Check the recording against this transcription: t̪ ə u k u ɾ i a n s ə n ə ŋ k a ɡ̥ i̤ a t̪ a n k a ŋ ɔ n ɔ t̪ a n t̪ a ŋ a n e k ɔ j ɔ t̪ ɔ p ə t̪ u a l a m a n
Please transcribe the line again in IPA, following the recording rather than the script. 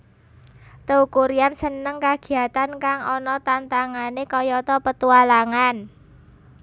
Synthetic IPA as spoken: t̪ ə u k u ɾ i a n s ə n ə ŋ k a ɡ̥ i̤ a t̪ a n k a ŋ ɔ n ɔ t̪ a n t̪ a ŋ a n e k ɔ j ɔ t̪ ɔ p ə t̪ u a l a ŋ a n